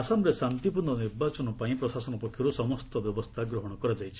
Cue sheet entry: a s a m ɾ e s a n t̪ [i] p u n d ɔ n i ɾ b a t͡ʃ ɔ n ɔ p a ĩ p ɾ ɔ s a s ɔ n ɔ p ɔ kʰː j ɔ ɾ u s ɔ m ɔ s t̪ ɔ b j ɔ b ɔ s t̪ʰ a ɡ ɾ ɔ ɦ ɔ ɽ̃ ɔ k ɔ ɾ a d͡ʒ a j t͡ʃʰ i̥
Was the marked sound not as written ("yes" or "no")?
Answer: no